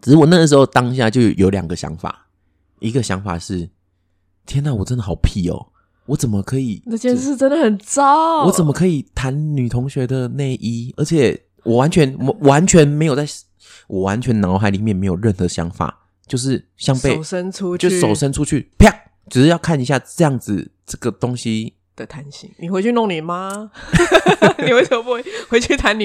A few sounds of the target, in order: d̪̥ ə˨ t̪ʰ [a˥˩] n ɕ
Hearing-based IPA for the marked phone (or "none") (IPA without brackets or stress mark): a˧˦